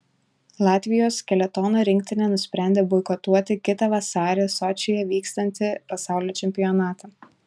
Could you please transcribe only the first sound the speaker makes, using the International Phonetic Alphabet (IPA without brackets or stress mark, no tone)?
lˠ